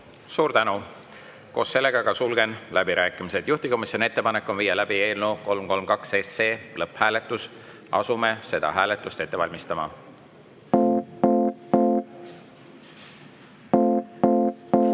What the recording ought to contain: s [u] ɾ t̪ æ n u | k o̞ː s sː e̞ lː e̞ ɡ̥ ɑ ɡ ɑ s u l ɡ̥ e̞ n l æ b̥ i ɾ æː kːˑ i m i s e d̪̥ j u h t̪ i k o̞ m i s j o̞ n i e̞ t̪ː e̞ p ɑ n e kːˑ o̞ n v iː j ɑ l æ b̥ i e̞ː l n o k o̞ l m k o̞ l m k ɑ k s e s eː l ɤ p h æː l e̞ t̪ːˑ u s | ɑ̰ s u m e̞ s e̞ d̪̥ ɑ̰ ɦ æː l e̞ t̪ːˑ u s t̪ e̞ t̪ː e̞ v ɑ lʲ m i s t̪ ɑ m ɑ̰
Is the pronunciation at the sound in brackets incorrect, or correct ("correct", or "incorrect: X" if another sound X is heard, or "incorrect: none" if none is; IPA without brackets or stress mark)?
incorrect: uː